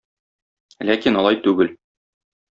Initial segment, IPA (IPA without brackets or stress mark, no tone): l